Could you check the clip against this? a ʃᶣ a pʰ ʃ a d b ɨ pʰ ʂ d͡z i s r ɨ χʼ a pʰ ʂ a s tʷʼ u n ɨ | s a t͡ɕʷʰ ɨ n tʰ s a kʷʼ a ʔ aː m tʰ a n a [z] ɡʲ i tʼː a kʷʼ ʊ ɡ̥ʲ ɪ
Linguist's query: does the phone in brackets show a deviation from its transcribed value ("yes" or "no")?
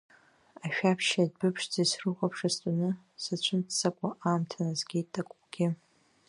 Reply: no